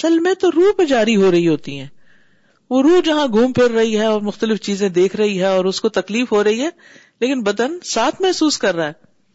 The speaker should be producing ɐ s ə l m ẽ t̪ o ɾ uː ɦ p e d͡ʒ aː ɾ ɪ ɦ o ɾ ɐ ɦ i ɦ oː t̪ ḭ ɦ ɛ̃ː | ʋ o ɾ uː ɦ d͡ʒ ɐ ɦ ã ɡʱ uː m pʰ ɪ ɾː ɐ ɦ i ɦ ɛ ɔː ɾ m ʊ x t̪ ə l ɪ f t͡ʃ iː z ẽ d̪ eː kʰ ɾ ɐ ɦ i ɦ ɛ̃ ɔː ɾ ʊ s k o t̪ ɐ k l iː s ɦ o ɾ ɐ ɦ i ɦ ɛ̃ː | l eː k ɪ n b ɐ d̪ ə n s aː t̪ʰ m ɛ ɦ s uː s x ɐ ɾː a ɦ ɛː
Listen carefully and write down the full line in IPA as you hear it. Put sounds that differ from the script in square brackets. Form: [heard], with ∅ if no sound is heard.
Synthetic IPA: ɐ s ə l m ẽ t̪ o ɾ uː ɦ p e d͡ʒ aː ɾ [i] ɦ o ɾ ɐ ɦ i ɦ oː t̪ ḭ ɦ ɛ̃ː | ʋ o ɾ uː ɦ d͡ʒ ɐ ɦ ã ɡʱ uː m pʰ ɪ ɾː ɐ ɦ i ɦ ɛ ɔː ɾ m ʊ x t̪ ə l ɪ f t͡ʃ iː z ẽ d̪ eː kʰ ɾ ɐ ɦ i ɦ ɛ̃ ɔː ɾ ʊ s k o t̪ ɐ k l iː [f] ɦ o ɾ ɐ ɦ i ɦ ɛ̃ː | l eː k ɪ n b ɐ d̪ ə n s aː t̪ʰ m ɛ ɦ s uː s [k] ɐ ɾː a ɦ ɛː